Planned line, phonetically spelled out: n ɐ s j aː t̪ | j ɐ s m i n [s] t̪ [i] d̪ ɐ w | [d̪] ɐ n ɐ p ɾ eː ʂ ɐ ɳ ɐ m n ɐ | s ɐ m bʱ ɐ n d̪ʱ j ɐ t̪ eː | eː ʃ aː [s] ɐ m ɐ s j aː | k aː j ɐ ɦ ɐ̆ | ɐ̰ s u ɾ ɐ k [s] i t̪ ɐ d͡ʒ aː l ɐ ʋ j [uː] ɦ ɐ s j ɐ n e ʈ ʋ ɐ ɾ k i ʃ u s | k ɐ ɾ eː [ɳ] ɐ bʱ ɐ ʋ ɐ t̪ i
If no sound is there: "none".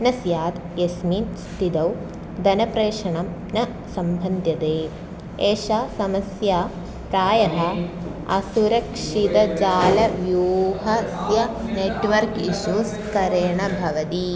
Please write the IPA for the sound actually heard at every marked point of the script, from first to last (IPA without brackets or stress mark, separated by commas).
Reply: s, i, d̪, s, ʂ, uː, ɳ